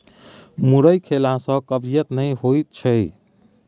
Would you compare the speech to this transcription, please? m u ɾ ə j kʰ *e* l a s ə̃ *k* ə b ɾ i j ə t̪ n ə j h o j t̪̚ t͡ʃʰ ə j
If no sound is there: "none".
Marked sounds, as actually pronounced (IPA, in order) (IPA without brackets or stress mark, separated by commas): e, k